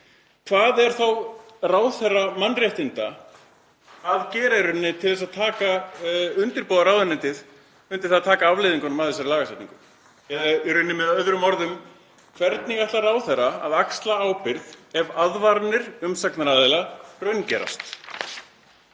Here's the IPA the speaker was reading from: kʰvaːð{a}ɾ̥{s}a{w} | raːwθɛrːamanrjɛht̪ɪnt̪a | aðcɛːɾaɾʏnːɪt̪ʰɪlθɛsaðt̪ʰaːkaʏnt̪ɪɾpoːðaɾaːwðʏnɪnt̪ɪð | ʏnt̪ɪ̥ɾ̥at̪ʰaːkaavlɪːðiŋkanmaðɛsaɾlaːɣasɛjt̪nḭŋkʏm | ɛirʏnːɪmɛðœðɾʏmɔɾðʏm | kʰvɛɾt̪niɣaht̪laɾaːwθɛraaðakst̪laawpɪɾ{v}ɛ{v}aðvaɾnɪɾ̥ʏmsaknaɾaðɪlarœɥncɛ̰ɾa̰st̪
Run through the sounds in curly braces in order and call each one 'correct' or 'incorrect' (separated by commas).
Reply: incorrect, incorrect, correct, incorrect, correct